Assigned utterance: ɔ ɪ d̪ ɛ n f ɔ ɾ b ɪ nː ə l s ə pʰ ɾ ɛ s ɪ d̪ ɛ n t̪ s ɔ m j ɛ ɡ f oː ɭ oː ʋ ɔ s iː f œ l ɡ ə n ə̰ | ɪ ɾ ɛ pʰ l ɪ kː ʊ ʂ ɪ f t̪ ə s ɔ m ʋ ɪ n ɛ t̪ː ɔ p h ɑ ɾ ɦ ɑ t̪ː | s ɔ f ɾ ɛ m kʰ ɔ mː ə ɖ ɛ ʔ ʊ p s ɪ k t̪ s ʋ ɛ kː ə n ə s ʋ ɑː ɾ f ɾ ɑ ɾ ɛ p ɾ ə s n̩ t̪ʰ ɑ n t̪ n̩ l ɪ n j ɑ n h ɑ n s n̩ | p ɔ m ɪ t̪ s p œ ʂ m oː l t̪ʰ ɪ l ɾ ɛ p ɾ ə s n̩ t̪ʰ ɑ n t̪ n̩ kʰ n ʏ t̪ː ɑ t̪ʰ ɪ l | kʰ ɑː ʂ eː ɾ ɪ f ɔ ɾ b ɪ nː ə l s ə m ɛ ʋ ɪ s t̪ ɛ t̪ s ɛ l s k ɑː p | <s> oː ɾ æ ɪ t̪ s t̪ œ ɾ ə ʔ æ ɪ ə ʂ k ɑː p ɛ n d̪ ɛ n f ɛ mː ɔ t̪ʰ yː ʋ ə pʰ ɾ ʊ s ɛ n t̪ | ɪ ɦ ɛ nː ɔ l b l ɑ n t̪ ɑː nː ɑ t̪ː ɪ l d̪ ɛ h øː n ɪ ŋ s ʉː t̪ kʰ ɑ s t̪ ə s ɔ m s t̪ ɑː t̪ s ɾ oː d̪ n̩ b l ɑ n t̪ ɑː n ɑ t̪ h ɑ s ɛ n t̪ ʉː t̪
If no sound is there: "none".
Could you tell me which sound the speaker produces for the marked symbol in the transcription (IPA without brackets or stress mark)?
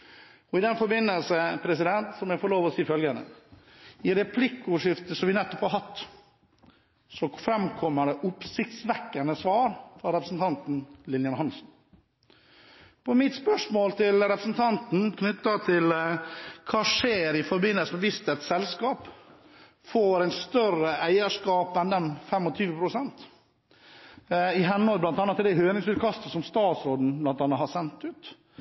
f